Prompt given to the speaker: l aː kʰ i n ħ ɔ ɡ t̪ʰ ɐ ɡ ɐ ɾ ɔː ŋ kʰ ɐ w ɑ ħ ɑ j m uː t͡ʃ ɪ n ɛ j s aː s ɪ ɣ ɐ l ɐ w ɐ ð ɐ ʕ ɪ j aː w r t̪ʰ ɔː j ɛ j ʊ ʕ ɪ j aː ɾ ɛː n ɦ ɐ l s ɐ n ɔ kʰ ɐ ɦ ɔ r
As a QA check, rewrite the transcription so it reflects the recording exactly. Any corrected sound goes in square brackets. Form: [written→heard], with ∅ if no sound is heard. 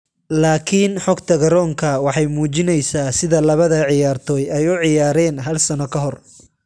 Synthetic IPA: l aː kʰ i n ħ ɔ ɡ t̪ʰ ɐ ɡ ɐ ɾ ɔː ŋ kʰ ɐ w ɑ ħ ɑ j m uː t͡ʃ ɪ n ɛ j s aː s ɪ [ɣ→ð] ɐ l ɐ [w→β] ɐ ð ɐ ʕ ɪ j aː [w→∅] r t̪ʰ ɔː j ɛ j ʊ ʕ ɪ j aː ɾ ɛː n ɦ ɐ l s ɐ n ɔ kʰ ɐ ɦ ɔ r